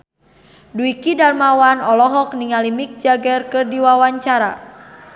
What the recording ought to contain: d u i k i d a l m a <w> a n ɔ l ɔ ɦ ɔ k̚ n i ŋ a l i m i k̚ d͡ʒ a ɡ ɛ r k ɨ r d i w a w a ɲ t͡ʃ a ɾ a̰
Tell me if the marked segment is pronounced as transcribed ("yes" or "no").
yes